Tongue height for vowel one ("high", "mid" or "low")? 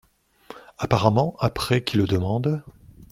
low